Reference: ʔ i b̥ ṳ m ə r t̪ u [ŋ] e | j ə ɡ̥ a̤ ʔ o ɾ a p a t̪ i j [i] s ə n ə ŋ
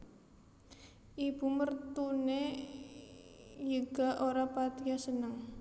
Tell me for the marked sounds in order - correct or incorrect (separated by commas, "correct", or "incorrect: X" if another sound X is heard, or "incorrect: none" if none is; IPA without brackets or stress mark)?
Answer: incorrect: n, incorrect: a